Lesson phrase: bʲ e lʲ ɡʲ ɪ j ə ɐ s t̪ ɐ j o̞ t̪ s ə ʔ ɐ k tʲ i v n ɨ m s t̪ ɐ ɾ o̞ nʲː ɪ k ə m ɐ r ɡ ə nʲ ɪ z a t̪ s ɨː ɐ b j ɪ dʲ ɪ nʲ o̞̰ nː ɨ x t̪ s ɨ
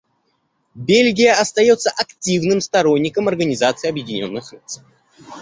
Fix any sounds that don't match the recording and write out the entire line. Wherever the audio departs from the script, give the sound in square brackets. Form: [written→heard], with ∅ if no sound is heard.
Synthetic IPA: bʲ e lʲ ɡʲ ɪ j ə ɐ s t̪ ɐ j o̞ t̪ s ə ʔ ɐ k tʲ i v n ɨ m s t̪ ɐ ɾ o̞ nʲː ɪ k ə m ɐ r ɡ ə nʲ ɪ z a t̪ s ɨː ɐ b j ɪ dʲ ɪ nʲ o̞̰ nː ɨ x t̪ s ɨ